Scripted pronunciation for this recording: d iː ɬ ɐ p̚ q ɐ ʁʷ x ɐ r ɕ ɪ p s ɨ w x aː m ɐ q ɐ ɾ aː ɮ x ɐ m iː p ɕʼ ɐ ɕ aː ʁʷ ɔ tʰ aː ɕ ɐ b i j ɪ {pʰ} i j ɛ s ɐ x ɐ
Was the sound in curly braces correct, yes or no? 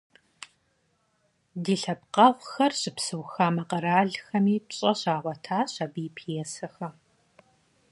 yes